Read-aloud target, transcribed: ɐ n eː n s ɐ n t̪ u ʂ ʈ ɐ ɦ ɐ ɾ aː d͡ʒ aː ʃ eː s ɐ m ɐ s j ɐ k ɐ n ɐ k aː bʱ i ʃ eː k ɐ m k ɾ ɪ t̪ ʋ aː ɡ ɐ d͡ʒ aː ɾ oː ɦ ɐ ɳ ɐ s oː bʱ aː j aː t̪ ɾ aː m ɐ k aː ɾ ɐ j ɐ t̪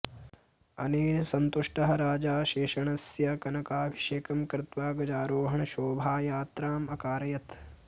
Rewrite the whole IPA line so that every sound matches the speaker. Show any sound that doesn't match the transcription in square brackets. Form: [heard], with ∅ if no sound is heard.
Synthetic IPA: ɐ n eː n s ɐ n t̪ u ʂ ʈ ɐ ɦ ɐ ɾ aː d͡ʒ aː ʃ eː [ʃ] ɐ [ɳ] ɐ s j ɐ k ɐ n ɐ k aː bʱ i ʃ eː k ɐ m k ɾ ɪ t̪ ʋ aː ɡ ɐ d͡ʒ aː ɾ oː ɦ ɐ ɳ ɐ [ʃ] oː bʱ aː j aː t̪ ɾ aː m ɐ k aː ɾ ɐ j ɐ t̪